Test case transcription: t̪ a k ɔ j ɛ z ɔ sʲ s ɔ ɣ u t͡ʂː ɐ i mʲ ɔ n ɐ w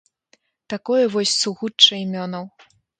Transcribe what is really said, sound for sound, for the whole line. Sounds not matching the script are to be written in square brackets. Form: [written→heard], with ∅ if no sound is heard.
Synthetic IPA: t̪ a k ɔ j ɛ [z→v] ɔ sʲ s [ɔ→u] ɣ u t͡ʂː ɐ i mʲ ɔ n ɐ w